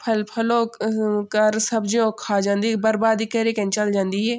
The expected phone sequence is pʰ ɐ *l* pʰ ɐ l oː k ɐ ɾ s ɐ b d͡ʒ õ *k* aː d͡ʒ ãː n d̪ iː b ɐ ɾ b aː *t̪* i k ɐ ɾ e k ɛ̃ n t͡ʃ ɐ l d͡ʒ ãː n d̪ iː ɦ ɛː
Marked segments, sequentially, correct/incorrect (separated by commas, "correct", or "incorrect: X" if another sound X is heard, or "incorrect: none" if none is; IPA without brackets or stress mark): correct, incorrect: kʰ, incorrect: d̪